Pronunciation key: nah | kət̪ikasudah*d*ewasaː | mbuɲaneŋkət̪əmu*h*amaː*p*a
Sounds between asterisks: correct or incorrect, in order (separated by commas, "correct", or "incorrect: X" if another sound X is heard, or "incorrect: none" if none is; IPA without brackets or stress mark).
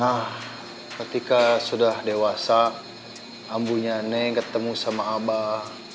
correct, incorrect: s, incorrect: b